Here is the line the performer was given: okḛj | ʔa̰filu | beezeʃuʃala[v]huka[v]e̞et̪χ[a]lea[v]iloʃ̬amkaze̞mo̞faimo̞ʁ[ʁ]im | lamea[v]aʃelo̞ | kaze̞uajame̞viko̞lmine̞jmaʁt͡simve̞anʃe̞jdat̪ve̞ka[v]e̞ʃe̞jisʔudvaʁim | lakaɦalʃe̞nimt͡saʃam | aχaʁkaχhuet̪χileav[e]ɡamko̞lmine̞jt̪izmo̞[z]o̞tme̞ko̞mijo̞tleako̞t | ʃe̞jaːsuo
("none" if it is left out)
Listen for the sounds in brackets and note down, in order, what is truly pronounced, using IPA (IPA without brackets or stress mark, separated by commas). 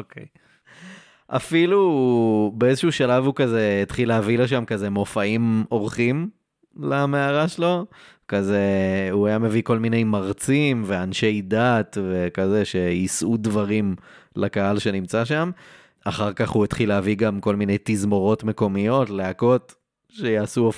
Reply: v, z, i, v, χ, ʁ, z, i, ʁ